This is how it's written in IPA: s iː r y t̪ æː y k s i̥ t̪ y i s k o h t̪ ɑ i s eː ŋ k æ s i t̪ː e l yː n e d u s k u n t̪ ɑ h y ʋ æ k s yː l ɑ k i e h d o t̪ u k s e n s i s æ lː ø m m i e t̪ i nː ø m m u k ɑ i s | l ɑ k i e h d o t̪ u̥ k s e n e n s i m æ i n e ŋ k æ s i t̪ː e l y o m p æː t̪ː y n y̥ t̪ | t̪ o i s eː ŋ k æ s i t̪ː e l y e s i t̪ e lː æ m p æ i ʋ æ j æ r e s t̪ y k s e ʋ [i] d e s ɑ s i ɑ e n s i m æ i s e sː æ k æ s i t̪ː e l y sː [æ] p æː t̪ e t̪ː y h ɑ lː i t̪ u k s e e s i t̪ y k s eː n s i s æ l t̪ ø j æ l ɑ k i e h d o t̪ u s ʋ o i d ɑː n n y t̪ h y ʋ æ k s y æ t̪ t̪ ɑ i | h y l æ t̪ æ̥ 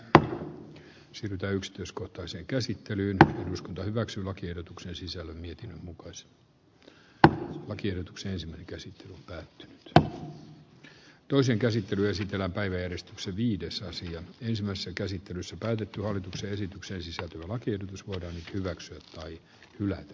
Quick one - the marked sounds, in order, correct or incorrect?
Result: incorrect, correct

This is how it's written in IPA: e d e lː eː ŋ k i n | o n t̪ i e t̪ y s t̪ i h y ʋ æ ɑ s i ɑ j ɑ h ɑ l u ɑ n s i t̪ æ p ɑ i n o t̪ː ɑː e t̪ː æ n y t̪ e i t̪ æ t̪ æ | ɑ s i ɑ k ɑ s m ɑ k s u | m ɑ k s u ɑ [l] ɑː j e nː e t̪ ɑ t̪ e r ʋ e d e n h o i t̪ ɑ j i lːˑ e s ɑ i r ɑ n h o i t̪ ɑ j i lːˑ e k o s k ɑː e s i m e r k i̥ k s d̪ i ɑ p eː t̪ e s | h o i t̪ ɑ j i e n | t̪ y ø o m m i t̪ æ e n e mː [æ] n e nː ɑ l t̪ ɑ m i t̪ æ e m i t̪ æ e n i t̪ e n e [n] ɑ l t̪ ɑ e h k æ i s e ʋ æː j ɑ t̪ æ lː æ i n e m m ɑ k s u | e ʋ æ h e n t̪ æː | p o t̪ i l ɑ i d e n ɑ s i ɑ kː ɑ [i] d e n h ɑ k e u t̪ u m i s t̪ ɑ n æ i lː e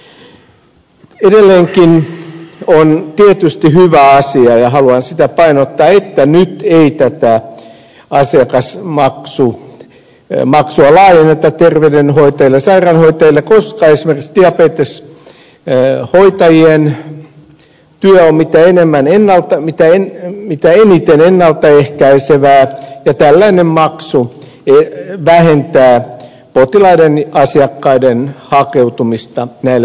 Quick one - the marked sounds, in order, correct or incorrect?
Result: correct, correct, incorrect, correct

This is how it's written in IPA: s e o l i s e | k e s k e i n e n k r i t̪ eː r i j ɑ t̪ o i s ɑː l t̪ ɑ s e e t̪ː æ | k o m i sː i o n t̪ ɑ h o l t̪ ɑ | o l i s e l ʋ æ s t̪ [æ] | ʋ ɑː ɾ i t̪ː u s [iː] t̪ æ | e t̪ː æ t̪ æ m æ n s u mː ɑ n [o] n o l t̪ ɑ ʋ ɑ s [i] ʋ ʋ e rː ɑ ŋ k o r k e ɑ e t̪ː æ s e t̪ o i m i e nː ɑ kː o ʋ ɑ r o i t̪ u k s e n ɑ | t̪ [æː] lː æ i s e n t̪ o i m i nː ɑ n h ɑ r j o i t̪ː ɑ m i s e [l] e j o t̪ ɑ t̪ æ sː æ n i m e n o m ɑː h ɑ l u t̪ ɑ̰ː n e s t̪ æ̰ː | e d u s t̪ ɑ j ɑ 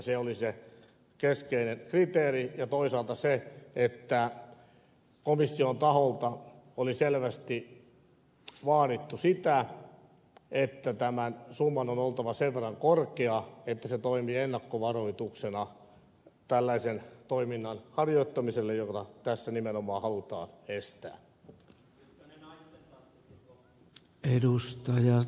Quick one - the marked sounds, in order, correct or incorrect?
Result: incorrect, incorrect, correct, incorrect, incorrect, incorrect

